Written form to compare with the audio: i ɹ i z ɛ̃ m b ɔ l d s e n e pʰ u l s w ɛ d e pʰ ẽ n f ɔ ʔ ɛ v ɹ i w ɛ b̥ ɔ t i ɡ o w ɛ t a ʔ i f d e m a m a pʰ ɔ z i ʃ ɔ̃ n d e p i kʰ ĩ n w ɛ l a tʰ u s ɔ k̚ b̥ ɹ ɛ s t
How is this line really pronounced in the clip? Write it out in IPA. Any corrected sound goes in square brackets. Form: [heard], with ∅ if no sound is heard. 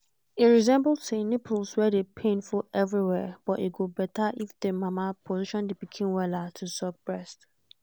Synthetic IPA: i ɹ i z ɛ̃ m b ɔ l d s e n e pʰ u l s w ɛ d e pʰ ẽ n f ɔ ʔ ɛ v ɹ i w ɛ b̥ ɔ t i ɡ o [b] ɛ t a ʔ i f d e m a m a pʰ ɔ z i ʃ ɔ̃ n d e p i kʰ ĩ n w ɛ l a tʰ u s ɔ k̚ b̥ ɹ ɛ s t